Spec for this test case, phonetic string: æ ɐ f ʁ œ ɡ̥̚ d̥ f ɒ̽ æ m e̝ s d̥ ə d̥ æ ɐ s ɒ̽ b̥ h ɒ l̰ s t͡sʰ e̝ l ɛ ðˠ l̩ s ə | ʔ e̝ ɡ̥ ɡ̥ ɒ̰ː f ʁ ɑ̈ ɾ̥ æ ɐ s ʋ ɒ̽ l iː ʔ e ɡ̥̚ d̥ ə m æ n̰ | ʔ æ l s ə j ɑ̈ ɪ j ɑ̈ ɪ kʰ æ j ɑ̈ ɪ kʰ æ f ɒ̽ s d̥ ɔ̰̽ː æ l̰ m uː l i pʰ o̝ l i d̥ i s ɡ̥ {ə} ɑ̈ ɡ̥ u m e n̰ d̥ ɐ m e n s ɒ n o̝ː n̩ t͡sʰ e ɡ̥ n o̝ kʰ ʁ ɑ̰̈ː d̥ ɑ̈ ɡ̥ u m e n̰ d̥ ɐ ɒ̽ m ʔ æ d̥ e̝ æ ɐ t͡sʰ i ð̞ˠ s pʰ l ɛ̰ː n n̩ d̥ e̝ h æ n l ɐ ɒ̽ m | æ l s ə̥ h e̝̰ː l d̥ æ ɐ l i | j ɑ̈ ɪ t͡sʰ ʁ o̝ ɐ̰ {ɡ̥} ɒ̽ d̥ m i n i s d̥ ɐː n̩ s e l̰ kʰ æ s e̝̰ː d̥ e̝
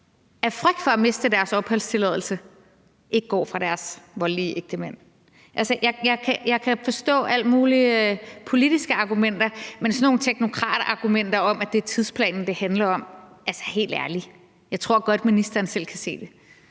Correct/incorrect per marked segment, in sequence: correct, correct

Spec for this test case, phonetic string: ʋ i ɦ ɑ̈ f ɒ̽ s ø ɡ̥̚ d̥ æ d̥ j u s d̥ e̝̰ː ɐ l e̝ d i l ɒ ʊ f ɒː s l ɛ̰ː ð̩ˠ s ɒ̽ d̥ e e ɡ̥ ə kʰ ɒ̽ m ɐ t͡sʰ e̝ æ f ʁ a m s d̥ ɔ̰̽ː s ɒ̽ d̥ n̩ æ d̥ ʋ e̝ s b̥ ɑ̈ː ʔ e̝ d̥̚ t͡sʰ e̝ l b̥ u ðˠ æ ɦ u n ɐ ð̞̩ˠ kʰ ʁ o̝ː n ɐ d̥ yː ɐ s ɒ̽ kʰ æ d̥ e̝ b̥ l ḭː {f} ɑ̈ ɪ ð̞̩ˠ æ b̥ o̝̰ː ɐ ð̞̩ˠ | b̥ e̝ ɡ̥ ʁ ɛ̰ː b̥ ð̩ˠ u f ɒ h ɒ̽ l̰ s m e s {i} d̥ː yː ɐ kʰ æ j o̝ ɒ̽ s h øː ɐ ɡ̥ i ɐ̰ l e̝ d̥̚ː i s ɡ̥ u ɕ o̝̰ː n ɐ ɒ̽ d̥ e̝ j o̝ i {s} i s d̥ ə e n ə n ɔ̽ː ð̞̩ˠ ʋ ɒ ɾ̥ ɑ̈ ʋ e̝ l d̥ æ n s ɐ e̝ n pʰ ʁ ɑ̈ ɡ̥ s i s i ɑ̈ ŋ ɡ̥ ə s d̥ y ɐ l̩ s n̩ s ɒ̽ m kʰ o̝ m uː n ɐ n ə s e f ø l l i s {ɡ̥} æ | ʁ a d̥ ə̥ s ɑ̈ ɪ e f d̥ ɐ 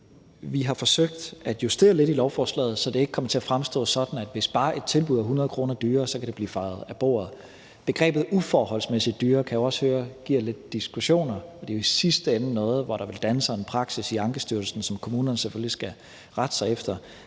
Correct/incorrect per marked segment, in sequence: correct, correct, correct, correct

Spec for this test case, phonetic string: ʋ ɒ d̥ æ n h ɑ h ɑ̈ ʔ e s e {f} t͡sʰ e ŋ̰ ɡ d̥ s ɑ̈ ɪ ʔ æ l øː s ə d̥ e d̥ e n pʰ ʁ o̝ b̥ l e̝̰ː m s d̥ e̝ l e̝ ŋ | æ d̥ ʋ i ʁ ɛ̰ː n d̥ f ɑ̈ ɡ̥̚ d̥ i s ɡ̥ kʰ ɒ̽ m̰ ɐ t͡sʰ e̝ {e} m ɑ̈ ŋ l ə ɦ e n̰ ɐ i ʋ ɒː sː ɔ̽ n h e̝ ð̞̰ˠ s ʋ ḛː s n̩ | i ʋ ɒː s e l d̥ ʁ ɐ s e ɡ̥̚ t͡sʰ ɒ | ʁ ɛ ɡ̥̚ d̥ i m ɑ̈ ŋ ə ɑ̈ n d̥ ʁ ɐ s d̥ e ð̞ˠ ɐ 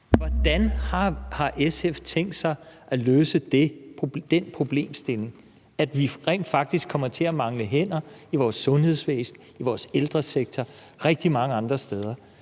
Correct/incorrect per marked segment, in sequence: correct, incorrect

